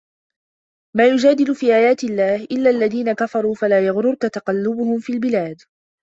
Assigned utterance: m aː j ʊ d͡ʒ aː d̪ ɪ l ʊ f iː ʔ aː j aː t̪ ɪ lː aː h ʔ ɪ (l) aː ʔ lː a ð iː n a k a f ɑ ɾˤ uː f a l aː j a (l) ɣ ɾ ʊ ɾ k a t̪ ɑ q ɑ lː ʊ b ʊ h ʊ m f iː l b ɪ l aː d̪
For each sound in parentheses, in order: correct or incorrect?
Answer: incorrect, incorrect

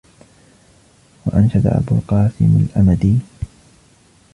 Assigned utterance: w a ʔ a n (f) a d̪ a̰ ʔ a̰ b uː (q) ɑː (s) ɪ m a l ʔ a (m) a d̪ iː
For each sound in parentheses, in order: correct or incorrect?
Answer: incorrect, correct, correct, correct

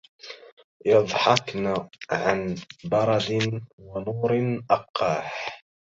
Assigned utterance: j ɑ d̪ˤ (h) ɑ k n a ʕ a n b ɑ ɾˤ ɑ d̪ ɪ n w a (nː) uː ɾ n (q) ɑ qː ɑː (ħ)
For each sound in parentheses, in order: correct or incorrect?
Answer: incorrect, incorrect, incorrect, correct

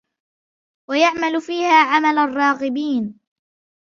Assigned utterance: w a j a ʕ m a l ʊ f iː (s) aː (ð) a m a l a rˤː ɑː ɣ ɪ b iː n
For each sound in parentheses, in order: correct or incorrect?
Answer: incorrect, incorrect

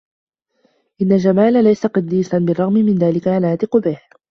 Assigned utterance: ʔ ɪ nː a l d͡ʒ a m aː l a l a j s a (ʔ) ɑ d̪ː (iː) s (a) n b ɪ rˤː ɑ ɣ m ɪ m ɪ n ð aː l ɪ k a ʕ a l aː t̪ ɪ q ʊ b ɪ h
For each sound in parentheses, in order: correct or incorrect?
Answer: incorrect, correct, correct

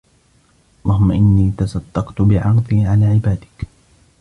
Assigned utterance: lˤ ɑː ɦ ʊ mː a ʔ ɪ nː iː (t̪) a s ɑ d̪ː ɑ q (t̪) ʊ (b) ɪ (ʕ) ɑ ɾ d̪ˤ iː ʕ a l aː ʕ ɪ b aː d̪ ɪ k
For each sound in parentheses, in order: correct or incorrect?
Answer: correct, correct, correct, correct

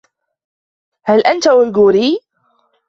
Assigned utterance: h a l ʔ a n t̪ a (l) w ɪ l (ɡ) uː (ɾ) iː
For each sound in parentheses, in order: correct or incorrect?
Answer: incorrect, correct, correct

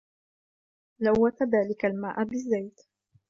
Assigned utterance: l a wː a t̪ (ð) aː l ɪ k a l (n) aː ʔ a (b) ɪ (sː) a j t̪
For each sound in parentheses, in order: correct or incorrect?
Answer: correct, incorrect, correct, incorrect

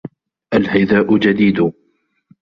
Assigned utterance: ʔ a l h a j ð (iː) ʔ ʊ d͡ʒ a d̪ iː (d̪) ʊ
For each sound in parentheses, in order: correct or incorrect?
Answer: incorrect, correct

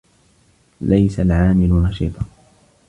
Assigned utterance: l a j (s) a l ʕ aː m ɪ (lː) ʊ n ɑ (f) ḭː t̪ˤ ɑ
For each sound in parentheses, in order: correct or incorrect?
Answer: correct, incorrect, incorrect

